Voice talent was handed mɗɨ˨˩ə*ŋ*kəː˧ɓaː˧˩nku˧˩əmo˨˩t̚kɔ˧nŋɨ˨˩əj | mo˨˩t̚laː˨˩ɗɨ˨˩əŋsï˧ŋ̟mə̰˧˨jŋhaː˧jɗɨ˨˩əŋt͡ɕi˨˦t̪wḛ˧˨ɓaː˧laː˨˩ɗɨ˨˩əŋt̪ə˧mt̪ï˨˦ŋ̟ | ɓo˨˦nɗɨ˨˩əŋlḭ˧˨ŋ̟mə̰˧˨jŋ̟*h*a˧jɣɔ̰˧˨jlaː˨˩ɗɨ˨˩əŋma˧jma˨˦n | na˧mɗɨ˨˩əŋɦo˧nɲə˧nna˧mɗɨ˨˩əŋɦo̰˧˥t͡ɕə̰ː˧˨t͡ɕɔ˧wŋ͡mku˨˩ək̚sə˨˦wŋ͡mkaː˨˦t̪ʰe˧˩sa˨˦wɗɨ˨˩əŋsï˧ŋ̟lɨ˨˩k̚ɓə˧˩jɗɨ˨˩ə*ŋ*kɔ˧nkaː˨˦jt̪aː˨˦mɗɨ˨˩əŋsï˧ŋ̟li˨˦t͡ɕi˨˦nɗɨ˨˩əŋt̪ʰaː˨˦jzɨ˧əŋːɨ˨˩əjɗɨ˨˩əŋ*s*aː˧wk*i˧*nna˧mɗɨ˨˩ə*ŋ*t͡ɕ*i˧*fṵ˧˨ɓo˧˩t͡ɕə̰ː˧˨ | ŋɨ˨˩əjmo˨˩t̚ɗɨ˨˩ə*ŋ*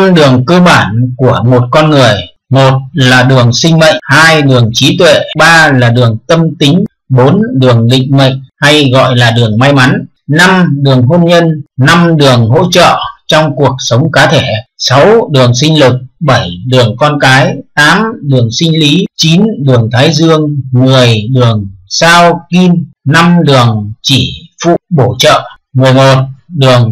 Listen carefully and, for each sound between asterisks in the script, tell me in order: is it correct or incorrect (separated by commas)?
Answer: correct, correct, correct, correct, correct, correct, incorrect, correct